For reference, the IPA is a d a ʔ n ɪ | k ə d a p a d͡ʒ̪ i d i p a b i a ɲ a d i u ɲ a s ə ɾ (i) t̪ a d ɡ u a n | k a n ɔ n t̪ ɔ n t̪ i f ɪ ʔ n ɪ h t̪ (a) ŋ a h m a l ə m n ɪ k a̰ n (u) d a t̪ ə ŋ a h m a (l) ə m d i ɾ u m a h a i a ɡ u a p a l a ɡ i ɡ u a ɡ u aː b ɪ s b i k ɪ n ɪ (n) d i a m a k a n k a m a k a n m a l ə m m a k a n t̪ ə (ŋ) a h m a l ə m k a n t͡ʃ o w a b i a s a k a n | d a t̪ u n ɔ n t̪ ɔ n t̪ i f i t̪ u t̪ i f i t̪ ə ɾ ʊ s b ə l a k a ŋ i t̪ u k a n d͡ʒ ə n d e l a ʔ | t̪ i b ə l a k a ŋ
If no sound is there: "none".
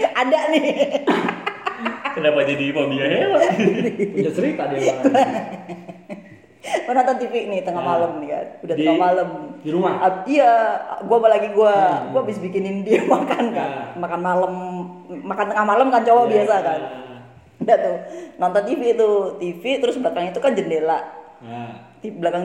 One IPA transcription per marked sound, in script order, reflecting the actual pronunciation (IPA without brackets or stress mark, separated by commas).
i, ə, u, l, n, ŋ